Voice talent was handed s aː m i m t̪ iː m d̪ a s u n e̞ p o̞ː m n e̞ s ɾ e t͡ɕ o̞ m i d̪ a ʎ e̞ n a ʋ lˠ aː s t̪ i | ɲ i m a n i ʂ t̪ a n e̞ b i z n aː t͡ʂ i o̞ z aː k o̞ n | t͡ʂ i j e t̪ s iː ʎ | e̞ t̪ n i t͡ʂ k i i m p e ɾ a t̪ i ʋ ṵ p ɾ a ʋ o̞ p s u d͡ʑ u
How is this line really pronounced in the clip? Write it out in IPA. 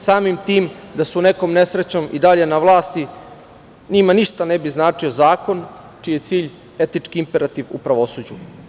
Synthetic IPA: s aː m i m t̪ iː m d̪ a s u n e̞ k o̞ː m n e̞ s ɾ e t͡ɕ o̞ m i d̪ a ʎ e̞ n a ʋ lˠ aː s t̪ i | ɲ i m a n i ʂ t̪ a n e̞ b i z n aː t͡ʂ i o̞ z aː k o̞ n | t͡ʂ i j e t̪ s iː ʎ | e̞ t̪ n i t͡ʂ k i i m p e ɾ a t̪ i ʋ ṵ p ɾ a ʋ o̞ s u d͡ʑ u